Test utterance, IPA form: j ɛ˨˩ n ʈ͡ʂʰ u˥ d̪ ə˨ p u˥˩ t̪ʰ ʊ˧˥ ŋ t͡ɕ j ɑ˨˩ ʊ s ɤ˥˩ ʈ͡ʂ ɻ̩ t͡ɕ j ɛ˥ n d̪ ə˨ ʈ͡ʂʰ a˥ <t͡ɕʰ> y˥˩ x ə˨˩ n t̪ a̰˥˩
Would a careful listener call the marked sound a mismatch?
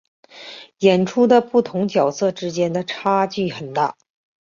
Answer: yes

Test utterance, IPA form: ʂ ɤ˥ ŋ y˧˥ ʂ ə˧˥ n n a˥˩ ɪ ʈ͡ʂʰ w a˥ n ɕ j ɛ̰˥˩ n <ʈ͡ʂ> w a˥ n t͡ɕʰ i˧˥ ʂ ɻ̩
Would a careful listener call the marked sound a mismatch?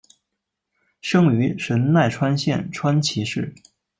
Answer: yes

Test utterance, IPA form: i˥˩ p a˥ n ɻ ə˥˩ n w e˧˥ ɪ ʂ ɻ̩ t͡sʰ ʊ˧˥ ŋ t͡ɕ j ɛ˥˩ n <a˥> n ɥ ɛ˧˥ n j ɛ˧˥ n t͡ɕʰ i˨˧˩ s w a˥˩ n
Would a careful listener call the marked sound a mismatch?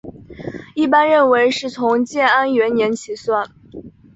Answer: no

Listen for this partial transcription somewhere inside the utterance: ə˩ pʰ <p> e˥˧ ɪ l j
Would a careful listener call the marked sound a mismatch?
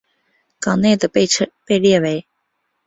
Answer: no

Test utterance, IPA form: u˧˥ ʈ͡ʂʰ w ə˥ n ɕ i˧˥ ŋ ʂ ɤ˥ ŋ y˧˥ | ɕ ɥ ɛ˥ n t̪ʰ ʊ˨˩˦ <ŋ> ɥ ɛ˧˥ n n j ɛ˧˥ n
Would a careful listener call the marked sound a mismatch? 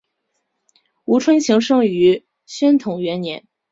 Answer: no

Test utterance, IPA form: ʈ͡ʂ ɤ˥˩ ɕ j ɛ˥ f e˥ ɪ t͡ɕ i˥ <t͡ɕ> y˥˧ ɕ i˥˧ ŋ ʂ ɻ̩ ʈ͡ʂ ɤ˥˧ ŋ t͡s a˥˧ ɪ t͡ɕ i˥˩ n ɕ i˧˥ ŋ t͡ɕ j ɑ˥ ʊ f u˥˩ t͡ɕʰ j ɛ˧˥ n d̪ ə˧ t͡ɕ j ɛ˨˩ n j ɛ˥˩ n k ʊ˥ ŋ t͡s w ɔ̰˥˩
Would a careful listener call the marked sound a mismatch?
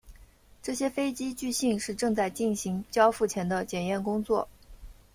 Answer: no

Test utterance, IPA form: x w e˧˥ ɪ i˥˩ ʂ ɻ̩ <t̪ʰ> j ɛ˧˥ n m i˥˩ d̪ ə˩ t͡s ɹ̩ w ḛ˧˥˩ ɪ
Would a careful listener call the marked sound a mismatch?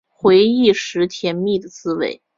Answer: no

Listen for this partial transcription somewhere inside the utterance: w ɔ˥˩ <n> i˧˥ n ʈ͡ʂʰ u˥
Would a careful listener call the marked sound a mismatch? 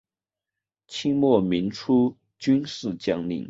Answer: yes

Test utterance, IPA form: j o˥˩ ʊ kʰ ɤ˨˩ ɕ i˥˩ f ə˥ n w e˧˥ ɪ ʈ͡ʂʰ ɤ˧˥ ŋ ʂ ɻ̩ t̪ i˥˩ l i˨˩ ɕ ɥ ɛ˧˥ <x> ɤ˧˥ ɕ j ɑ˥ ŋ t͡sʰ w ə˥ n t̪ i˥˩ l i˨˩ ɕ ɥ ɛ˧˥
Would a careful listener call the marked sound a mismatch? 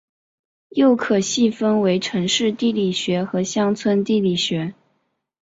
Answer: no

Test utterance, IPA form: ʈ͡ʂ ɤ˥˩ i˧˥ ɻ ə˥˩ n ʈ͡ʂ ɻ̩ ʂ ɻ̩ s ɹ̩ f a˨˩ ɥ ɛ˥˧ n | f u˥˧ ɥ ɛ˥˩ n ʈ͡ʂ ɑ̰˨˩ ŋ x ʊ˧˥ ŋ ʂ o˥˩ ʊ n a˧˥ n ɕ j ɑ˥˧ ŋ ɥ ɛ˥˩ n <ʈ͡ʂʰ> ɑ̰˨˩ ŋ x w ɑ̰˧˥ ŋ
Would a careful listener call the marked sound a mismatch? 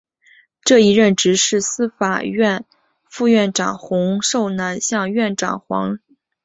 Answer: yes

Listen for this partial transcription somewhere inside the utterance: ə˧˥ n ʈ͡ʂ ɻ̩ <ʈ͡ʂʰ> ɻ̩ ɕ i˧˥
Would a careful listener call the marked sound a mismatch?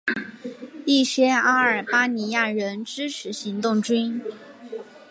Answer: no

